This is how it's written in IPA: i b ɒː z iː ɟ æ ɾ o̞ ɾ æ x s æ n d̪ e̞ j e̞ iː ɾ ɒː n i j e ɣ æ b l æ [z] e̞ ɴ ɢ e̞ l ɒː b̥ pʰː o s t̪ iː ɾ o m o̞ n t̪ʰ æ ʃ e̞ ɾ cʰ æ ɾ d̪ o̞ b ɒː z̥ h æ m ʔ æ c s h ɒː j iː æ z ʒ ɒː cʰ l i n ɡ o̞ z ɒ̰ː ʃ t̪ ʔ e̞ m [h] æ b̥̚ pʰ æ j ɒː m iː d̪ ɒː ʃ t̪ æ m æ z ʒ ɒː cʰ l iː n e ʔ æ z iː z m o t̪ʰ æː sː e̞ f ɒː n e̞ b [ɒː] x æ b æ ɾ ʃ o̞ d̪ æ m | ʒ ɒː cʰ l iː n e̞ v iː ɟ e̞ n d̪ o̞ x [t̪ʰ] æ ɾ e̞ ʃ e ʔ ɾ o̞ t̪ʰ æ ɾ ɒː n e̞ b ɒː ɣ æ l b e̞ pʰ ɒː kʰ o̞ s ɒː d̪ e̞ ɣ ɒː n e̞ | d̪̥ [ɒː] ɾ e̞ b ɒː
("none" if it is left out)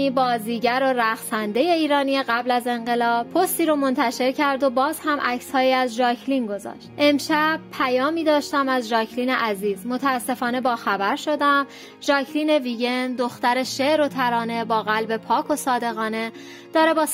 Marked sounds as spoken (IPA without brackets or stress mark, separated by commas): z, ʃ, ɒː, t̪, ɒː